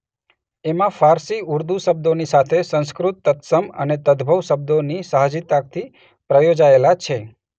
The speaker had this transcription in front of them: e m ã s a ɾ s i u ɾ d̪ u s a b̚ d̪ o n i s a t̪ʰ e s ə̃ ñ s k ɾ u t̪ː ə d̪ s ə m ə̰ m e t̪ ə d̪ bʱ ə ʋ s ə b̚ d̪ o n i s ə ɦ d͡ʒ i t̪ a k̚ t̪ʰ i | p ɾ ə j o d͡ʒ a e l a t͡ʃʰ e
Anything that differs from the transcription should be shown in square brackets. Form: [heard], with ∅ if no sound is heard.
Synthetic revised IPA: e m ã [f] a ɾ s i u ɾ d̪ u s [ə] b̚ d̪ o n i s a t̪ʰ e s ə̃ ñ s k ɾ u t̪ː ə [t̪] s ə m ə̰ [n] e t̪ ə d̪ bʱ ə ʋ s ə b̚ d̪ o n i s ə ɦ d͡ʒ i t̪ a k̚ t̪ʰ i | p ɾ ə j o d͡ʒ a e l a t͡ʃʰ e